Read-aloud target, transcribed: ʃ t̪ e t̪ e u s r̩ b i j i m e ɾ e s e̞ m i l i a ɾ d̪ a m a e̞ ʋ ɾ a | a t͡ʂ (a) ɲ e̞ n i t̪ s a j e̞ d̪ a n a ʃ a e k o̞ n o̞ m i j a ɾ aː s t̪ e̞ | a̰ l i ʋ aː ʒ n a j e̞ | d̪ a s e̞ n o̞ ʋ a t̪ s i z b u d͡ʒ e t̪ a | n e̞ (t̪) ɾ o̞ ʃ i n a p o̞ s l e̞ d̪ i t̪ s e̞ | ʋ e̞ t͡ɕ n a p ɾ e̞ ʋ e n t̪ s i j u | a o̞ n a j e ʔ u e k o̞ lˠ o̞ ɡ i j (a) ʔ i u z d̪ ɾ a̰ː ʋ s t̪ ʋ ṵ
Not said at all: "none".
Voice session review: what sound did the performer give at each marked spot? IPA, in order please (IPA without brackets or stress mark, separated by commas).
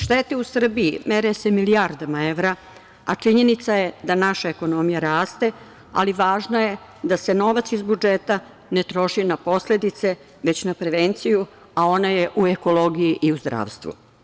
i, t̪, i